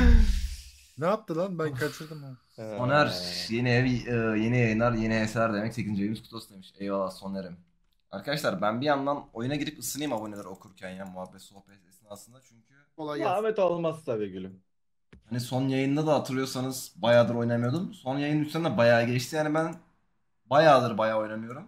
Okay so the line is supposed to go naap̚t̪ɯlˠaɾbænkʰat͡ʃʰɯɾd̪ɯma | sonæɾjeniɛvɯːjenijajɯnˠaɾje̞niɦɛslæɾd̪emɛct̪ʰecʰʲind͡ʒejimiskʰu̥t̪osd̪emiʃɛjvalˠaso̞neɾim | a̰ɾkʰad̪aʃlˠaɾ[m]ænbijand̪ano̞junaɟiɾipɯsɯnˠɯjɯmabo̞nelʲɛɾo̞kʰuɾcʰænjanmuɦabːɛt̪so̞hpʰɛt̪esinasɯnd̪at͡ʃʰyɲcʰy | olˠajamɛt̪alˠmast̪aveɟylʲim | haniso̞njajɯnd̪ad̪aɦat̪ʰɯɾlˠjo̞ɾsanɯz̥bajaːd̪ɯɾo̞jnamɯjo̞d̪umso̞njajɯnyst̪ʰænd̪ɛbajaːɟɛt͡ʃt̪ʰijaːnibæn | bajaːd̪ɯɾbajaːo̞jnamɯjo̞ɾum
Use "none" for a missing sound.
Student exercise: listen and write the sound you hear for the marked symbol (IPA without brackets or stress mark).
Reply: b